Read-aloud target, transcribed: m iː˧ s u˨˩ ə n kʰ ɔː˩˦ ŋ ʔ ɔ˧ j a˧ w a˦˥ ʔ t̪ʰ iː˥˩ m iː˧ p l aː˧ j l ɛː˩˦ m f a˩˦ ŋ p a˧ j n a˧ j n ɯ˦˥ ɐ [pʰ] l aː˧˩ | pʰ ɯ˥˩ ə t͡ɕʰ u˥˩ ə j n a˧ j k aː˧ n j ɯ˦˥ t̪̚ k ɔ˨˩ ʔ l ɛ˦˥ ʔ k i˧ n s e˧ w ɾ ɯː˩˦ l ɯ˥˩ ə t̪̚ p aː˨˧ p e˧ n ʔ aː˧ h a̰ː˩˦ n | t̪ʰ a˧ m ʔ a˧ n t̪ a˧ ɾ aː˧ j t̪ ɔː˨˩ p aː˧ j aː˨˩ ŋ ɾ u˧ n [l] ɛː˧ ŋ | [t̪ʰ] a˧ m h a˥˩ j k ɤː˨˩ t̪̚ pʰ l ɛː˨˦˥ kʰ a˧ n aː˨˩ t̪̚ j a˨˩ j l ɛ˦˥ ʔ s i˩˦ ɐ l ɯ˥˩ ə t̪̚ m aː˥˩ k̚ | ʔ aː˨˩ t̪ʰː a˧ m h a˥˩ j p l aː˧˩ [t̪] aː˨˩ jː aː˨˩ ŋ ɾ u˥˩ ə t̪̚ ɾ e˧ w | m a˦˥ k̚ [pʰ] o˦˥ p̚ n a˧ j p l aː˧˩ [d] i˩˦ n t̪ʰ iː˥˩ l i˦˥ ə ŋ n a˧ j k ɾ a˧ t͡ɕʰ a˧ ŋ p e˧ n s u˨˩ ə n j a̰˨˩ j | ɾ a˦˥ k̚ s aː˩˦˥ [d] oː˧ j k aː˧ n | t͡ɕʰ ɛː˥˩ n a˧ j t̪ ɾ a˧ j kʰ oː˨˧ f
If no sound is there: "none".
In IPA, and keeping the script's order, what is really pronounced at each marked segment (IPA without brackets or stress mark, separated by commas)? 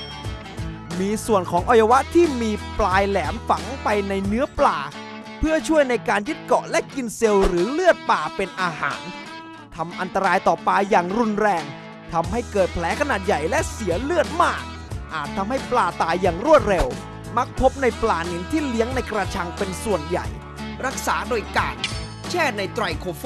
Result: p, ɾ, t̪ʰ, t̪, pʰ, n, d